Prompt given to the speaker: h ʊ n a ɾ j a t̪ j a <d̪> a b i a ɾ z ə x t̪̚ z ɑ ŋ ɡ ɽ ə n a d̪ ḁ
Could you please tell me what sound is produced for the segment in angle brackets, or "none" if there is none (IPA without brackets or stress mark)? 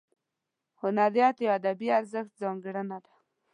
d̪